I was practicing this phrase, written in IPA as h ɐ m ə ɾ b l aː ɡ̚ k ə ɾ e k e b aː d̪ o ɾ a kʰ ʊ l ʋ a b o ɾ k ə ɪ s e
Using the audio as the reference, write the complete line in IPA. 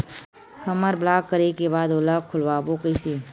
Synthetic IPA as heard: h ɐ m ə ɾ b l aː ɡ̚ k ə ɾ e k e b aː d̪ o l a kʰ ʊ l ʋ a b o k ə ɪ s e